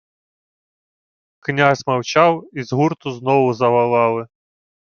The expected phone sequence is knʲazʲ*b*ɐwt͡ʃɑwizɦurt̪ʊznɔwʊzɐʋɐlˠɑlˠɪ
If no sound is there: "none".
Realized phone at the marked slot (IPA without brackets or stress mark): m